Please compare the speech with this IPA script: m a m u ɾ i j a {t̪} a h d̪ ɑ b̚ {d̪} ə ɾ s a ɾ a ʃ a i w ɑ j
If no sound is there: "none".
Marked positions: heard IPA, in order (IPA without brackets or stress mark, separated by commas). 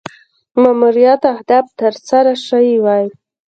t̪, t̪